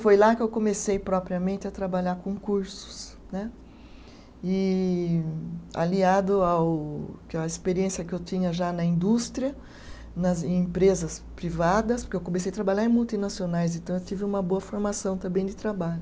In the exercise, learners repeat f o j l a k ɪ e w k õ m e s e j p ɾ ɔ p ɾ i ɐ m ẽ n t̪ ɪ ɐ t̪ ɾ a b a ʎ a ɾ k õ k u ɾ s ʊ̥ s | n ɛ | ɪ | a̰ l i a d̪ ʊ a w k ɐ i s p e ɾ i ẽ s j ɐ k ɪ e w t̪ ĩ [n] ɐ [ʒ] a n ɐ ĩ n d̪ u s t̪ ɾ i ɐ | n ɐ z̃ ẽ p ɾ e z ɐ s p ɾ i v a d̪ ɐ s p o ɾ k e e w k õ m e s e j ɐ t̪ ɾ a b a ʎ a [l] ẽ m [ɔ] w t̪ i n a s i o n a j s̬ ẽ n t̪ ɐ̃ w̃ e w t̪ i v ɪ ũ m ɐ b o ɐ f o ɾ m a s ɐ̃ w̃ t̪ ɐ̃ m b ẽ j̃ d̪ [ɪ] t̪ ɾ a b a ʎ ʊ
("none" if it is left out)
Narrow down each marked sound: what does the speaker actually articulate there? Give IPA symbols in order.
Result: ɲ, ʒ, ɾ, u, ɪ

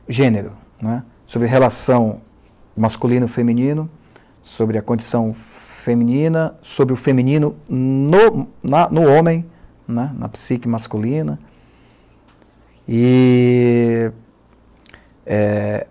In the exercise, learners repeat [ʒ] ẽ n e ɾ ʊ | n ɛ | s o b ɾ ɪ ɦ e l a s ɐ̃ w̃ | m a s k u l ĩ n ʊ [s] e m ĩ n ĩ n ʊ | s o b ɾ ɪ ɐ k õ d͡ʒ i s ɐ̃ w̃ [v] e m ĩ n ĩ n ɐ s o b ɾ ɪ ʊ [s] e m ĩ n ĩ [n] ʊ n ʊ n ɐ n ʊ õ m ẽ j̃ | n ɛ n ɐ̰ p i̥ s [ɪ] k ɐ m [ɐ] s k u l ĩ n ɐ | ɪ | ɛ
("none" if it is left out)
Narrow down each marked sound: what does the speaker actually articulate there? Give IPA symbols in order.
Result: ʒ, f, f, f, n, i, a

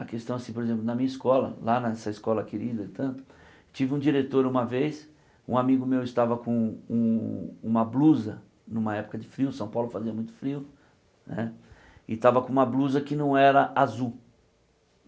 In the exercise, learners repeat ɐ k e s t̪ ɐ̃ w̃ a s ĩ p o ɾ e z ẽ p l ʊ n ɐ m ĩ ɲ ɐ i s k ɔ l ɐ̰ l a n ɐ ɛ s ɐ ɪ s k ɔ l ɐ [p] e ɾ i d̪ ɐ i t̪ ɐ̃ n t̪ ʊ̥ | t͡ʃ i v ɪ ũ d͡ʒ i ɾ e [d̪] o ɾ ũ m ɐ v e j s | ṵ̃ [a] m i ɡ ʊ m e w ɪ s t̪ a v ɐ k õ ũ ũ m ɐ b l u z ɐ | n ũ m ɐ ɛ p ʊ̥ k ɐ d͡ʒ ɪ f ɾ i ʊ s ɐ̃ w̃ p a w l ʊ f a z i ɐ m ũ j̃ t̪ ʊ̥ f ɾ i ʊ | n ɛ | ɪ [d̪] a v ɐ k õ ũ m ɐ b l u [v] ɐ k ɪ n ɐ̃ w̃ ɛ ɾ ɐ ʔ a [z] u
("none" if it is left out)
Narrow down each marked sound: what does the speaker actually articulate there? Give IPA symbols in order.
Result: k, t̪, a, t̪, z, z

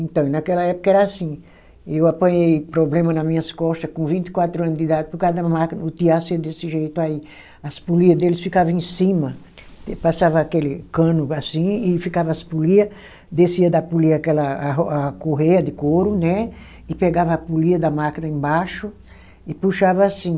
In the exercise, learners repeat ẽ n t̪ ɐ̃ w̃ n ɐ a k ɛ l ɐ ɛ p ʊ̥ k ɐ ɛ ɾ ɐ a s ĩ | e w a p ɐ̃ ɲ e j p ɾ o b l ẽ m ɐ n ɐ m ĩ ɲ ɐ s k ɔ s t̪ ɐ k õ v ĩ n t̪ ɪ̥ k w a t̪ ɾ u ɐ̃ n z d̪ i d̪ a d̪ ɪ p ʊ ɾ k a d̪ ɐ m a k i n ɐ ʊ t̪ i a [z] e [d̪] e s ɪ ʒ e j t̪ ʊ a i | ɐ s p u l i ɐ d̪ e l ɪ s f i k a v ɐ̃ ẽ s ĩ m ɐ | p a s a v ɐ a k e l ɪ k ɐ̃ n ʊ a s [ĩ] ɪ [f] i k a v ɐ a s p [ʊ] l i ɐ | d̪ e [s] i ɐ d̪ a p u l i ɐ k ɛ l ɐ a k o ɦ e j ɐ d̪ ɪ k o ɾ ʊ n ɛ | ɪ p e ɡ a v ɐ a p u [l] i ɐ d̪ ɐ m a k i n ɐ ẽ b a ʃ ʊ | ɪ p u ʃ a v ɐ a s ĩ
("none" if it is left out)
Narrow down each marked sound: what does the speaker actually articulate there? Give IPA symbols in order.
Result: s, d̪, ĩ, f, u, s, l

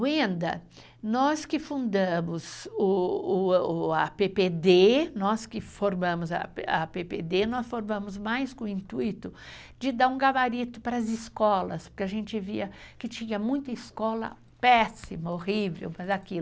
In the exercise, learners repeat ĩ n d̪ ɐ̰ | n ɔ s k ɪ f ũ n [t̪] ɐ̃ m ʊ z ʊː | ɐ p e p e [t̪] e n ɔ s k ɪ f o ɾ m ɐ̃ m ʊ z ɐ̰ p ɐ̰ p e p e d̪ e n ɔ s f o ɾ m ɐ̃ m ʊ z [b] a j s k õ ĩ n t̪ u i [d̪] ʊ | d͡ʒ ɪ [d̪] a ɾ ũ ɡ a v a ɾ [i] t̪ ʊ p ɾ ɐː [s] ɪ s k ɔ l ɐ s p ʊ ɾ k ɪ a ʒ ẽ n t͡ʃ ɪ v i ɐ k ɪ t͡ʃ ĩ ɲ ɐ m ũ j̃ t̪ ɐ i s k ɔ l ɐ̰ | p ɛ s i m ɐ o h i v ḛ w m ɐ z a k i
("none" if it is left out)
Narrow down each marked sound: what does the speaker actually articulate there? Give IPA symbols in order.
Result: d̪, d̪, m, t̪, d̪, i, z

